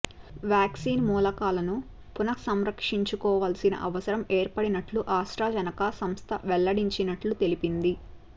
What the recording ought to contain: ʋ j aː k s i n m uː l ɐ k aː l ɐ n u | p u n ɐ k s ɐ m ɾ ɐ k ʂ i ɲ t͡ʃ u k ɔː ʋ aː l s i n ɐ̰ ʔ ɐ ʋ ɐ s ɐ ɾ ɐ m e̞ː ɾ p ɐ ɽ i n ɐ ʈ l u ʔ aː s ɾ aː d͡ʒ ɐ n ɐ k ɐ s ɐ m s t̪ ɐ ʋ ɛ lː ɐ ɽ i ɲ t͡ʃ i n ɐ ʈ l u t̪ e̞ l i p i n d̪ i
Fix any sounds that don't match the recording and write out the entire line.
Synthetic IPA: ʋ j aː k s iː n m uː l ɐ k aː l ɐ n u | p u n ɐ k s ɐ m ɾ ɐ k ʂ i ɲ t͡ʃ u k ɔː ʋ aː l s i n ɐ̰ ʔ ɐ ʋ ɐ s ɐ ɾ ɐ m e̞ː ɾ p ɐ ɽ i n ɐ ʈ l u ʔ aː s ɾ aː d͡ʒ ɐ n ɐ k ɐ s ɐ m s t̪ʰ ɐ ʋ ɛ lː ɐ ɽ i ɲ t͡ʃ i n ɐ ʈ l u t̪ e̞ l i p i n d̪ i